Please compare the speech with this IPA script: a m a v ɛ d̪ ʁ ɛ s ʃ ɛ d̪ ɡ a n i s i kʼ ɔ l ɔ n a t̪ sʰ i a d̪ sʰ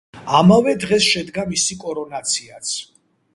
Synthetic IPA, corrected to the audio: a m a v ɛ d̪ ʁ ɛ s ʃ ɛ d̪ ɡ a m i s i kʼ ɔ ɾ ɔ n a t̪ sʰ i a t̪ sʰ